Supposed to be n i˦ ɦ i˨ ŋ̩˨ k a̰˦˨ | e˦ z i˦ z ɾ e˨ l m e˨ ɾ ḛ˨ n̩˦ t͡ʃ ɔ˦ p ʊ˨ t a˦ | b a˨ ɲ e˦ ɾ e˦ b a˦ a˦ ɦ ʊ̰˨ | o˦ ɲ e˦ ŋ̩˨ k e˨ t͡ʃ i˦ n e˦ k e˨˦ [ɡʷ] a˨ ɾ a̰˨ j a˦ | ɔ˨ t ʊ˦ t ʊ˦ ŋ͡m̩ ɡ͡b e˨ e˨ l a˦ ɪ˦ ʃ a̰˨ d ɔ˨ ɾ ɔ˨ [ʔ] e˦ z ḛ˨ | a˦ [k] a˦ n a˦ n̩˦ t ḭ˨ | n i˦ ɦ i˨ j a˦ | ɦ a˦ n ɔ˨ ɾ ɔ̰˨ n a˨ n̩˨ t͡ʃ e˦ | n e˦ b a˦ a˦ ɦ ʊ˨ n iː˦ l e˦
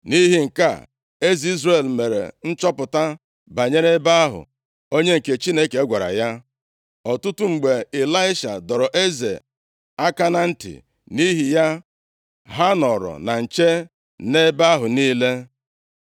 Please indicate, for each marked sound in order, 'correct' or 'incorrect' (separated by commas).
correct, correct, correct